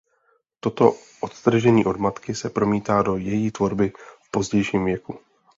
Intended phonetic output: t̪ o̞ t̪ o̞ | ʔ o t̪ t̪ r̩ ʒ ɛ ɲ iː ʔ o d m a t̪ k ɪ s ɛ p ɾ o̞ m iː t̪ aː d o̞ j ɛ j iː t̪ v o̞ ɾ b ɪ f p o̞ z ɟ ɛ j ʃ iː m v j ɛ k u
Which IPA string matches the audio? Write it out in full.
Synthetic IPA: t̪ o̞ t̪ o̞ | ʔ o t̪ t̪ r̩ ʒ ɛ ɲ iː ʔ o d m a t̪ k ɪ s ɛ p ɾ o̞ m iː t̪ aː d o̞ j ɛ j iː t̪ v o̞ ɾ b ɪ f p o̞ z ɟ ɛ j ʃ iː m v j ɛ k u